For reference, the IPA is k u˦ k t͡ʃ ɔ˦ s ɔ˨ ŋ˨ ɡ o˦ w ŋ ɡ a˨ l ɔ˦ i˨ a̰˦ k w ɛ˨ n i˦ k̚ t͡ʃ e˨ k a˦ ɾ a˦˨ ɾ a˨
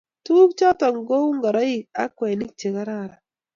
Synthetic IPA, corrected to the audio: t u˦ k t͡ʃ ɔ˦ t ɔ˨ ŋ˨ ɡ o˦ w ŋ ɡ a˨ ɾ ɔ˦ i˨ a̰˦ k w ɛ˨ n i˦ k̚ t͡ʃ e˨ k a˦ ɾ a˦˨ ɾ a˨